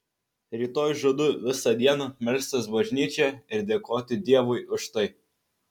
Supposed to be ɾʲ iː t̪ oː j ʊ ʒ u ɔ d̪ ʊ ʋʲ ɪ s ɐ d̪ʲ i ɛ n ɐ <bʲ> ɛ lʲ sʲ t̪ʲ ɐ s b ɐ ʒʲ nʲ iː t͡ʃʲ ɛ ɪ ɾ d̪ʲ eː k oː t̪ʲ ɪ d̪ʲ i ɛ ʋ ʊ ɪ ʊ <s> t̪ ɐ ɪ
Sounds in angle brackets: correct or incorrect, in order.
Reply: incorrect: mʲ, incorrect: ʃ

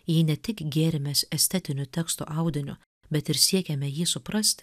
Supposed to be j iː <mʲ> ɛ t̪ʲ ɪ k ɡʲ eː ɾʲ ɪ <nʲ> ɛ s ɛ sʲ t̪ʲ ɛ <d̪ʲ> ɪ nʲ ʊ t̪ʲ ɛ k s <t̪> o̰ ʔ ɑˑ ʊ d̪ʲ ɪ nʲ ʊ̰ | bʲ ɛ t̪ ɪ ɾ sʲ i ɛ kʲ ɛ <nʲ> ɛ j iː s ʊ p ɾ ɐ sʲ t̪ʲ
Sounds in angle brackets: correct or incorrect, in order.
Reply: incorrect: nʲ, incorrect: mʲ, incorrect: t̪ʲ, correct, incorrect: mʲ

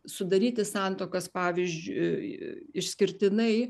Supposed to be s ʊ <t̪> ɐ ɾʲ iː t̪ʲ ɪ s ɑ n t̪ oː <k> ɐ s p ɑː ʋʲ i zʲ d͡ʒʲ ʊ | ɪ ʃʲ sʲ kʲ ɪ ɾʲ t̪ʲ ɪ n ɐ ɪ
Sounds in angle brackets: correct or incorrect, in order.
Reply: incorrect: d̪, correct

